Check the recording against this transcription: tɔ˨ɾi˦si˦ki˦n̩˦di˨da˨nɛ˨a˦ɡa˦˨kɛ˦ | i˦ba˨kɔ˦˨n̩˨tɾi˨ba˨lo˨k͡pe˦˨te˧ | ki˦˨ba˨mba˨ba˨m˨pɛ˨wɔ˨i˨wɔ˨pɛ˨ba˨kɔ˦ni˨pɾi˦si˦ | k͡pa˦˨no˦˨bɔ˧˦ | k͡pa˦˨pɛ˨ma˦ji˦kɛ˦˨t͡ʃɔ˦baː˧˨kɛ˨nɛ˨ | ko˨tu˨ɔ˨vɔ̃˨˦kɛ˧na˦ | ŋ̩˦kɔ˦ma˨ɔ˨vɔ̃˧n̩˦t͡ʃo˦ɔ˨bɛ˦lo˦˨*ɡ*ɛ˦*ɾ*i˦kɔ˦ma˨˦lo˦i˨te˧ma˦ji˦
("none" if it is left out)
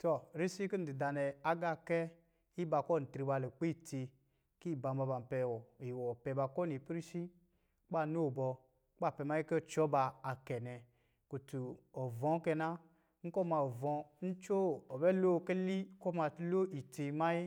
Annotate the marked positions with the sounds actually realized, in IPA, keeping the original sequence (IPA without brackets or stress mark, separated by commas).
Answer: k, l